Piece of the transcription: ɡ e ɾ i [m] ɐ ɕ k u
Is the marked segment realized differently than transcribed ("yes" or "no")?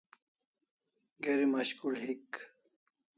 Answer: no